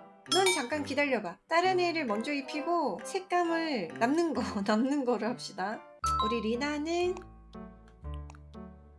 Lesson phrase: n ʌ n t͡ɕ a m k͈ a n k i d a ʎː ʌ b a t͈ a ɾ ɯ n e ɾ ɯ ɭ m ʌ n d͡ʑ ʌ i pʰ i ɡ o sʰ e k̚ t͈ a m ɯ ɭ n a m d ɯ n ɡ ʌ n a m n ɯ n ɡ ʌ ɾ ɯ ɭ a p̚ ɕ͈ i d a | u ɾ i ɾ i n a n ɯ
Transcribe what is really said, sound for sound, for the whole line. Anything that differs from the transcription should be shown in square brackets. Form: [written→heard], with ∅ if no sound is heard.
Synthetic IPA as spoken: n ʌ n t͡ɕ a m k͈ a n k i d a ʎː ʌ b a t͈ a ɾ ɯ n e ɾ ɯ ɭ m ʌ n d͡ʑ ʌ i pʰ i ɡ o sʰ e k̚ [t͈→k͈] a m ɯ ɭ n a m [d→n] ɯ n ɡ ʌ n a m n ɯ n ɡ ʌ ɾ ɯ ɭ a p̚ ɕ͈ i d a | u ɾ i ɾ i n a n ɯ